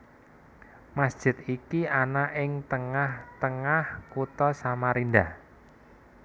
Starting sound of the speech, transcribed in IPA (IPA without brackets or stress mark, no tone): m